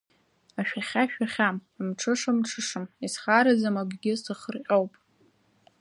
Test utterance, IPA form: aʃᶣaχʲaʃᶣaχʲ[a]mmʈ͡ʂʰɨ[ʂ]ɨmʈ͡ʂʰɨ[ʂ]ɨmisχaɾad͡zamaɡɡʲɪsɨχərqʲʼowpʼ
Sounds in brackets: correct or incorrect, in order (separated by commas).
correct, correct, correct